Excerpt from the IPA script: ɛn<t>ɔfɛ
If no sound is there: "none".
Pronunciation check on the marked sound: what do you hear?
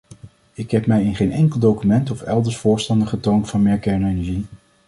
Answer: t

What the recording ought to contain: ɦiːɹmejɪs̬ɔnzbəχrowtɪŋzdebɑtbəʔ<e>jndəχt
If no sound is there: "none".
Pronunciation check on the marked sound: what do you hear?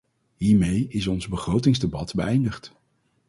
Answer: ɛ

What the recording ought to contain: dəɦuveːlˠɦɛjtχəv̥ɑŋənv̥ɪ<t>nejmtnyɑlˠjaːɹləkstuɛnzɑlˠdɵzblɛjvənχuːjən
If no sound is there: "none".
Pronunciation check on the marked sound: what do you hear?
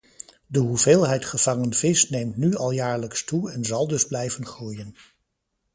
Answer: s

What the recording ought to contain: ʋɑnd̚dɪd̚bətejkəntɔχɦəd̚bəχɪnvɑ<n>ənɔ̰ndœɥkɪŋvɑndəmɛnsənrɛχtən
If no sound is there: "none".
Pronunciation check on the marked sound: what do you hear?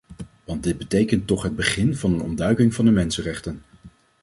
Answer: n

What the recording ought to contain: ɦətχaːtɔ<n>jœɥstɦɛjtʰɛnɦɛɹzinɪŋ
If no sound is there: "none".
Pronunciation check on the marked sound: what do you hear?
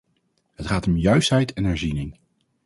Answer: m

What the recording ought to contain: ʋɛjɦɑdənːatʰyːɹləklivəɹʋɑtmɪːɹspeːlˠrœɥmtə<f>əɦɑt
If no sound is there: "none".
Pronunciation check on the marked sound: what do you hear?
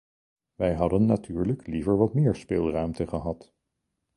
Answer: χ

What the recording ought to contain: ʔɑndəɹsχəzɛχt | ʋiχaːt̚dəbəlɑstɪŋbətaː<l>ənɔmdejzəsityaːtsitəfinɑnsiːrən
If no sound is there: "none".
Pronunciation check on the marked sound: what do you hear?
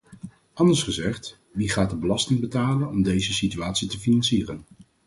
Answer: l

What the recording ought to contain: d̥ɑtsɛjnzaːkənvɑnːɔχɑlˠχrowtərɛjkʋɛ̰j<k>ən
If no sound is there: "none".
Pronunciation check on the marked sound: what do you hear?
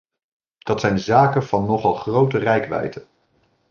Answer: t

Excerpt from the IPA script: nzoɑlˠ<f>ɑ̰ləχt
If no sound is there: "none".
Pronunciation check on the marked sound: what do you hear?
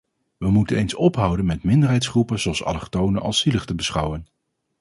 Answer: s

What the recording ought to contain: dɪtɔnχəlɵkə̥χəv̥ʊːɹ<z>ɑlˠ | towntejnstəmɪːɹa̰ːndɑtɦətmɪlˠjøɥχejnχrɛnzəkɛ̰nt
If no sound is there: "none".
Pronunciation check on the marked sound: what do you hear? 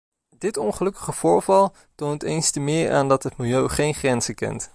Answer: v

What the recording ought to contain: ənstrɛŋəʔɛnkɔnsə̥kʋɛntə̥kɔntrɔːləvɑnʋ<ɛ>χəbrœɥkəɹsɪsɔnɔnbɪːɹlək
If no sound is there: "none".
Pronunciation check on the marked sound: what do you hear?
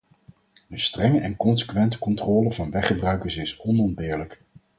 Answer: ɛ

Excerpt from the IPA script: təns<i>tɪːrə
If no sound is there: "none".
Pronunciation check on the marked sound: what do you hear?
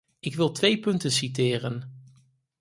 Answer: i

